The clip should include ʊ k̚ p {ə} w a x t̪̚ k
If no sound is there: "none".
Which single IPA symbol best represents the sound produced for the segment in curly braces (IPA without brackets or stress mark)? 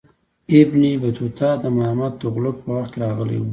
ə